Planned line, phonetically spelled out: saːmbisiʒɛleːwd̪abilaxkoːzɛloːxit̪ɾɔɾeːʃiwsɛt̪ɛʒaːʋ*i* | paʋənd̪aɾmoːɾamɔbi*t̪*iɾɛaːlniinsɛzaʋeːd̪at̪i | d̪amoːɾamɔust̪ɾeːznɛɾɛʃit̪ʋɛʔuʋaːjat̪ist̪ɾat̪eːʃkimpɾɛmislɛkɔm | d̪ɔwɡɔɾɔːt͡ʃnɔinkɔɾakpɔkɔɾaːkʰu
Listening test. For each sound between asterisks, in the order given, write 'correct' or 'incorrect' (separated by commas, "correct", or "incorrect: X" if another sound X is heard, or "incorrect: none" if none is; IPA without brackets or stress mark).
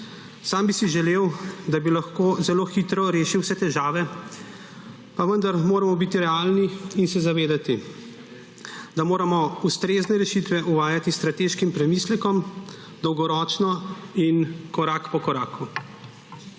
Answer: incorrect: ɛ, correct